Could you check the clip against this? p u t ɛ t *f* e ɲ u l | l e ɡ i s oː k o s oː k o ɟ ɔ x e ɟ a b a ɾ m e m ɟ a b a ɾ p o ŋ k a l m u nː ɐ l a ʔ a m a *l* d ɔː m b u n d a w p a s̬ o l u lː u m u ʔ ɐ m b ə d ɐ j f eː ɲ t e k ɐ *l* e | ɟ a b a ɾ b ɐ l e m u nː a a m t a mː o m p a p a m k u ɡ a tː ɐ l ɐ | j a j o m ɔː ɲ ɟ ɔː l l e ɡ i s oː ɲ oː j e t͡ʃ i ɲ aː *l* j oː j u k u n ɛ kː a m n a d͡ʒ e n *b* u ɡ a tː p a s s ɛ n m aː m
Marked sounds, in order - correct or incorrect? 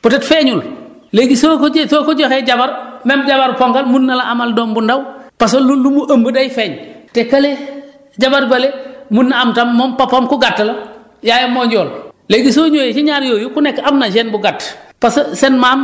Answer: correct, correct, correct, incorrect, correct

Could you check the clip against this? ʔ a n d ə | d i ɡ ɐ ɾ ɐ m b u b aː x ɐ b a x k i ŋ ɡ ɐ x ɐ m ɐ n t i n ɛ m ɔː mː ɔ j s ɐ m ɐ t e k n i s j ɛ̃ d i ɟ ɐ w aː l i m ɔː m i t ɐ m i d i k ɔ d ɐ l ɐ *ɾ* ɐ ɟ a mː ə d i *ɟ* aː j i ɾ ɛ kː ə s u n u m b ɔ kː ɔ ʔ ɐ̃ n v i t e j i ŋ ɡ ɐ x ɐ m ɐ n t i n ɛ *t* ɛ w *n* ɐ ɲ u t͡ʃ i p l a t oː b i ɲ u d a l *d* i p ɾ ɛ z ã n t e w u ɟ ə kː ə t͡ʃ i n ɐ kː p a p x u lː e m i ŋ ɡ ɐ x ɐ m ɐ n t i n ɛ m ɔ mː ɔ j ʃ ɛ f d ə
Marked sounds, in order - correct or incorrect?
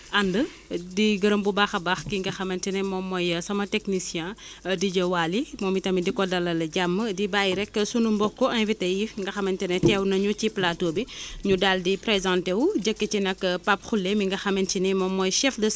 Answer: incorrect, incorrect, correct, correct, correct

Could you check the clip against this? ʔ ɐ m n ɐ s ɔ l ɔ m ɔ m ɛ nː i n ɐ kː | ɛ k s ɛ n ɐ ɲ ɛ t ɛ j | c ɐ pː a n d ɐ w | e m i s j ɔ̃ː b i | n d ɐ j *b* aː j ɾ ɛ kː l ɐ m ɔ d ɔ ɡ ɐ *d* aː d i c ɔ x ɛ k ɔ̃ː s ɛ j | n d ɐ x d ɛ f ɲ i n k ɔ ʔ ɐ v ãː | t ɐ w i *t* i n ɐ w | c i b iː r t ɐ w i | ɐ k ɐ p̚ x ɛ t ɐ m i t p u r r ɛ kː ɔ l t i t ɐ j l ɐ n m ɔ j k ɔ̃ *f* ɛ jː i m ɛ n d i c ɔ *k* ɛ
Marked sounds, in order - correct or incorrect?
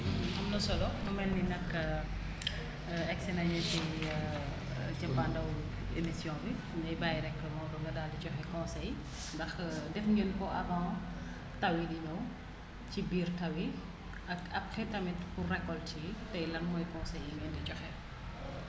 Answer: correct, correct, incorrect, incorrect, incorrect

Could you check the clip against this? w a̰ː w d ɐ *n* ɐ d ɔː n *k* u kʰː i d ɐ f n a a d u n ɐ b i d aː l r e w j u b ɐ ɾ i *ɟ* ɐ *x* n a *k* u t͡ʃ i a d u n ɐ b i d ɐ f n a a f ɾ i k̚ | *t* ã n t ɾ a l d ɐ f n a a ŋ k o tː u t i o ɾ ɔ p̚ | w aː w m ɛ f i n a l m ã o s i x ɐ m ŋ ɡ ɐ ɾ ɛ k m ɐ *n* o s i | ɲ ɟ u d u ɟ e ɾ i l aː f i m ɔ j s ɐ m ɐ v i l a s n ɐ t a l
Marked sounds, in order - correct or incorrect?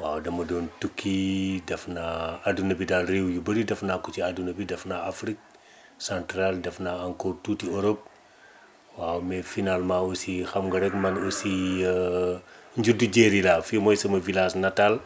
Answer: incorrect, incorrect, incorrect, incorrect, correct, incorrect, correct

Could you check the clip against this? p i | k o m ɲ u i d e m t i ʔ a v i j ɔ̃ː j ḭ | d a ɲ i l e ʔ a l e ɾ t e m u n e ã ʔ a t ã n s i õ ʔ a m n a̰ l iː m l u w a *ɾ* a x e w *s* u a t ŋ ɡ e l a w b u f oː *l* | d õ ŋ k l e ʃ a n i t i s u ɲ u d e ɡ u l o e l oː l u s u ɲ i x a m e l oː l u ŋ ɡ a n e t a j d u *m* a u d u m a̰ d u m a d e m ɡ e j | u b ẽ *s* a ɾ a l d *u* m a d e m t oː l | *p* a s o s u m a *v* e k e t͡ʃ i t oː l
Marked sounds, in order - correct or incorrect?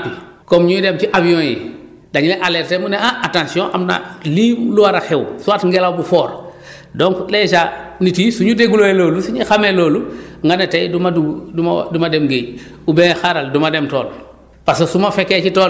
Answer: correct, correct, incorrect, correct, incorrect, correct, correct, incorrect

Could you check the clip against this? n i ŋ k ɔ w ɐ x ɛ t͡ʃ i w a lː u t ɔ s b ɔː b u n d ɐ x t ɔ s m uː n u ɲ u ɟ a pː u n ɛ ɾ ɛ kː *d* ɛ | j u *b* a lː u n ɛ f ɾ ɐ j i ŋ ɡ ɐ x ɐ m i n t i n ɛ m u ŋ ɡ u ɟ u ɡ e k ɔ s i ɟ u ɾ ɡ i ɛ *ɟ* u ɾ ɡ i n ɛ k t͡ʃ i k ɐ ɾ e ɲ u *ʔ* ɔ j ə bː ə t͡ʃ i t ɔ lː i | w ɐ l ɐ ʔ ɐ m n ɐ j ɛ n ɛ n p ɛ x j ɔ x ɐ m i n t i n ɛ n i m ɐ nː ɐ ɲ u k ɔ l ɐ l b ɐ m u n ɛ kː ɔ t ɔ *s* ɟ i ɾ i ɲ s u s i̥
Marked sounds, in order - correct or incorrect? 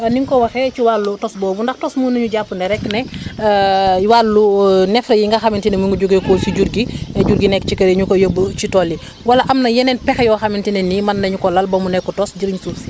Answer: incorrect, incorrect, correct, incorrect, correct

